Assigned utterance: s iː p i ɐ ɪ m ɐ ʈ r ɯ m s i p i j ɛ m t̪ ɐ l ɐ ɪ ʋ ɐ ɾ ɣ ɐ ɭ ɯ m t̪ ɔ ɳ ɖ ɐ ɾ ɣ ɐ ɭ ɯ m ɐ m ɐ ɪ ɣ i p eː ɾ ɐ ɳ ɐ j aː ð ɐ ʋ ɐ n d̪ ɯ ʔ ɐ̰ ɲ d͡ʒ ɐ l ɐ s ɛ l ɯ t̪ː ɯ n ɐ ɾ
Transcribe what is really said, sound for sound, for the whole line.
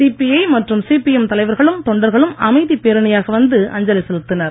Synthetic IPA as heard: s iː p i ɐ ɪ m ɐ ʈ r ɯ m s i p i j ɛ m t̪ ɐ l ɐ ɪ ʋ ɐ ɾ ɣ ɐ ɭ ɯ m t̪ ɔ ɳ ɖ ɐ ɾ ɣ ɐ ɭ ɯ m ɐ m ɐ ɪ ð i p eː ɾ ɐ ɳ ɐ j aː ɣ ɐ ʋ ɐ n d̪ ɯ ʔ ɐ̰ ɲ d͡ʒ ɐ l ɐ s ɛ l ɯ t̪ː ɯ n ɐ ɾ